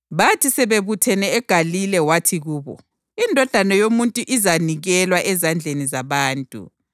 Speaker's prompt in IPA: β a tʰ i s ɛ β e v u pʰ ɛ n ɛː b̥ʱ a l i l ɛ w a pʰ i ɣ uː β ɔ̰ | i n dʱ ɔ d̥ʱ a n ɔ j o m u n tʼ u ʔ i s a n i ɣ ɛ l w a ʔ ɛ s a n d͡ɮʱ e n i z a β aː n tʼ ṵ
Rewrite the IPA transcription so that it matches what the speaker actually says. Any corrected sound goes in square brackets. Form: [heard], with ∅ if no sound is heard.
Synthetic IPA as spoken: β a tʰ i s ɛ β e [β] u [tʰ] ɛ n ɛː [ɡ̥ʱ] a l i l ɛ w a [tʰ] i ɣ uː β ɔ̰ | i n dʱ ɔ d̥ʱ a n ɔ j o m u n tʼ u ʔ i [z] a n i ɣ ɛ l w a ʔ ɛ [z] a n d͡ɮʱ e n i z a β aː n tʼ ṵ